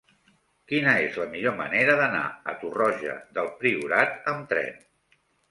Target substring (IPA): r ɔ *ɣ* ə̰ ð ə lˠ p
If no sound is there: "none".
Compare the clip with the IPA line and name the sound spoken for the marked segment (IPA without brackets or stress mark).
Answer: ʒ